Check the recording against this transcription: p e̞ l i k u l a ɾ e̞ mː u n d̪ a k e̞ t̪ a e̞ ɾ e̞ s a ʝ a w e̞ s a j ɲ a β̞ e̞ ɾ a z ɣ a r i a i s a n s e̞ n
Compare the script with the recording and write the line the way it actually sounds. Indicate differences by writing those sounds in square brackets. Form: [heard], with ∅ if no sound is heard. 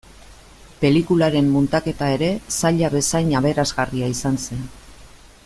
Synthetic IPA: p e̞ l i k u l a ɾ e̞ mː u n [t̪] a k e̞ t̪ a e̞ ɾ e̞ s a [ʎ] a [β] e̞ s a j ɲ a β̞ e̞ ɾ a z ɣ a r i a i s a n s e̞ n